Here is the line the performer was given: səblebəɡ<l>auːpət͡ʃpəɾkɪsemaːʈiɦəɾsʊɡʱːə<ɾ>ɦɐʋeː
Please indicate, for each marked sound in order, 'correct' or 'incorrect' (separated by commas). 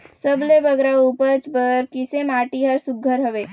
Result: incorrect, correct